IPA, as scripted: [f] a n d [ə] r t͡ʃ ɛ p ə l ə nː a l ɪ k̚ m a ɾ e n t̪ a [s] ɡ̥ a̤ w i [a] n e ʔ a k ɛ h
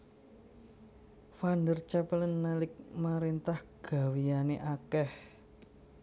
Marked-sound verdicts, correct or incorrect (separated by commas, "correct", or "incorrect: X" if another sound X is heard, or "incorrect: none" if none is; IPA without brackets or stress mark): correct, correct, incorrect: h, correct